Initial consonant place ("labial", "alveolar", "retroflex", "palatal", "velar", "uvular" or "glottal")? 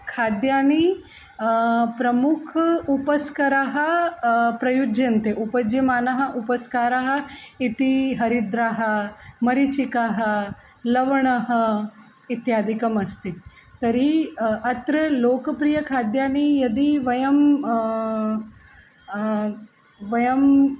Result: velar